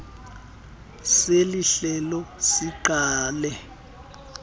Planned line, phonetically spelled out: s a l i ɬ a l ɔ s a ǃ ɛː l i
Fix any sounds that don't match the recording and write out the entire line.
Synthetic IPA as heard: s e l i ɬ ɛ l ɔ s i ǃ aː l ɛ

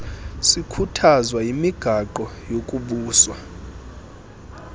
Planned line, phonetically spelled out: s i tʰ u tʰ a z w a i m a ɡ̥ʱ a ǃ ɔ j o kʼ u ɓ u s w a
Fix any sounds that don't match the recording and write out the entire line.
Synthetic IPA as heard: s i kʰ u tʰ a z w a i m i ɡ̥ʱ a ǃ ɔ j o kʼ u ɓ uː s w a

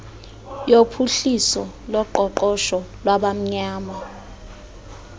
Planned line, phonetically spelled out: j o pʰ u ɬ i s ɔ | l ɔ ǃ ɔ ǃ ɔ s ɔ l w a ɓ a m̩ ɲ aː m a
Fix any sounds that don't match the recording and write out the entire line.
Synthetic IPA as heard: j o pʰ u ɬ i s ɔ | l ɔ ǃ ɔ ǃ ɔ ʃ ɔ l w a ɓ a m̩ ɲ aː m a

